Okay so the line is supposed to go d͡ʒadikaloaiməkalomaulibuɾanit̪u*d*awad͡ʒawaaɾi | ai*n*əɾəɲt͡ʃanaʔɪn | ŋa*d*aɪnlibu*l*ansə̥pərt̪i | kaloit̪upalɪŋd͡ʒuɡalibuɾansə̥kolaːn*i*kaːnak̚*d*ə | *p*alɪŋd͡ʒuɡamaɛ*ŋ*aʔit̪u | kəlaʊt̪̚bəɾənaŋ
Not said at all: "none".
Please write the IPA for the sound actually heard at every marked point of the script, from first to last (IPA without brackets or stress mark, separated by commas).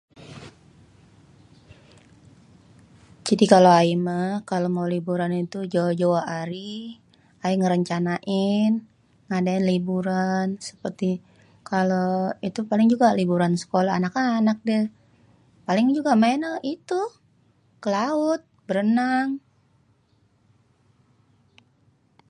d͡ʒ, ŋ, d, ɾ, a, d, p, n